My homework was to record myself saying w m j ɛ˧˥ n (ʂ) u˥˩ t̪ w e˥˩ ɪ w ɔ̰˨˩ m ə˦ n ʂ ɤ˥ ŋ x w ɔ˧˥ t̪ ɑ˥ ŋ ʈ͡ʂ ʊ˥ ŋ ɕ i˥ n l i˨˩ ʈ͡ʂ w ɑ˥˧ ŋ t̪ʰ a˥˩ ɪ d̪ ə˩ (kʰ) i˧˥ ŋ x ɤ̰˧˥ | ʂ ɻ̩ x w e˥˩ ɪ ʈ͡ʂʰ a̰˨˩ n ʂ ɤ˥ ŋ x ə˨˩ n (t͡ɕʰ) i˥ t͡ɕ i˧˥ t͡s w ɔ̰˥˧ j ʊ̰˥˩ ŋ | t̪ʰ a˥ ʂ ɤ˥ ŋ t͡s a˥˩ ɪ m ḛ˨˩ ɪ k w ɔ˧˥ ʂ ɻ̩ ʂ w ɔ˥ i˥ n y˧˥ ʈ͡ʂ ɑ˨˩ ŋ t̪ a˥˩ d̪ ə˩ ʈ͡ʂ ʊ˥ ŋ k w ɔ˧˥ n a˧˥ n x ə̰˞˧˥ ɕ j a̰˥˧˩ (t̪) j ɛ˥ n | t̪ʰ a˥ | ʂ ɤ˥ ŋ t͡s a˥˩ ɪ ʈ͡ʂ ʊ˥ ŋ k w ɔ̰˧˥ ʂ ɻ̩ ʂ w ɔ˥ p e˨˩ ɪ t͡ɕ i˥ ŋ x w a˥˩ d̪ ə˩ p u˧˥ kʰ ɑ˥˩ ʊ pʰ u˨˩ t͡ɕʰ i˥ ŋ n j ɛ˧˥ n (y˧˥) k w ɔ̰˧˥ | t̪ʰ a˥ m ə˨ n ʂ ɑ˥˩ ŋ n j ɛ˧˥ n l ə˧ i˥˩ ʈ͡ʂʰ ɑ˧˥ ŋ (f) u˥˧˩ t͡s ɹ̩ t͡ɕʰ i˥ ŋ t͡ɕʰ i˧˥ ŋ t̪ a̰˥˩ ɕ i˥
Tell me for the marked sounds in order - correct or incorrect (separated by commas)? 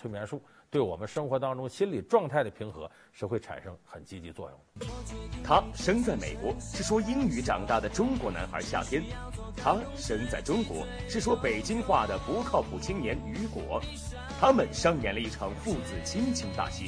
correct, incorrect, incorrect, incorrect, correct, correct